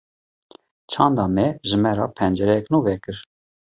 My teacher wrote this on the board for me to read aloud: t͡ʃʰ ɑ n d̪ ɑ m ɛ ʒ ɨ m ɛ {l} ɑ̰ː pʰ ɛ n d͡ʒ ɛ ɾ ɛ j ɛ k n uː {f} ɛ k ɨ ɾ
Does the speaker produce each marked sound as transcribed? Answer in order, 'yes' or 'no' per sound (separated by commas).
no, no